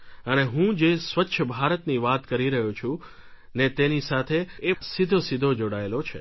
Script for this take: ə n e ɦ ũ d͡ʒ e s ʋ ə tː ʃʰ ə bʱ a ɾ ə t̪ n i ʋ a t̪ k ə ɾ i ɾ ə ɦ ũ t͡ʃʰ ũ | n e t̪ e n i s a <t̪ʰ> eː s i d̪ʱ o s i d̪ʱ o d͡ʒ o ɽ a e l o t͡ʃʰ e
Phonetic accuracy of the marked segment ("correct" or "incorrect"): correct